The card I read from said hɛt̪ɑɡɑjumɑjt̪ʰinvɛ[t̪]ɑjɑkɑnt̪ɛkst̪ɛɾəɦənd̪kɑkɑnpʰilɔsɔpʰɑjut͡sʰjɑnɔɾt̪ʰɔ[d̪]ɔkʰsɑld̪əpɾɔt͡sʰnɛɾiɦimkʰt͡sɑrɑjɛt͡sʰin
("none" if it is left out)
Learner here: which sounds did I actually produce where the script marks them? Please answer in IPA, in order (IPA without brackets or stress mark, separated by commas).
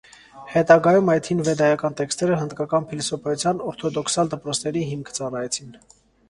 d̪, d̪